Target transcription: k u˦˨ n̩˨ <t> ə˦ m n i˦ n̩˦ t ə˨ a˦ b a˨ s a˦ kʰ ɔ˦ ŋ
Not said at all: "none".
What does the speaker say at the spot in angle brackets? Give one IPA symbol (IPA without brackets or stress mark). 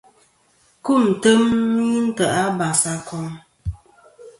t